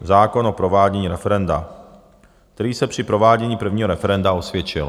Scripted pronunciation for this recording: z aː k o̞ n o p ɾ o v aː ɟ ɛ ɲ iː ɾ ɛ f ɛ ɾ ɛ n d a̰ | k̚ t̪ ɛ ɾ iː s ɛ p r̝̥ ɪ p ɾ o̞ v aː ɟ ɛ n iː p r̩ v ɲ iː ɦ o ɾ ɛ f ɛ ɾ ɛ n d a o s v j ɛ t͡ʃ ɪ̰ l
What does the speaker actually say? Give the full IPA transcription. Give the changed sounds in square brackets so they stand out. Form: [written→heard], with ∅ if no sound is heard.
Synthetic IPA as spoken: z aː k o̞ n o p ɾ o v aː ɟ ɛ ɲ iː ɾ ɛ f ɛ ɾ ɛ n d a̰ | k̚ t̪ ɛ ɾ iː s ɛ p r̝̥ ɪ p ɾ o̞ v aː ɟ ɛ [n→ɲ] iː p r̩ v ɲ iː ɦ o ɾ ɛ f ɛ ɾ ɛ n d a o s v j ɛ t͡ʃ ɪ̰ l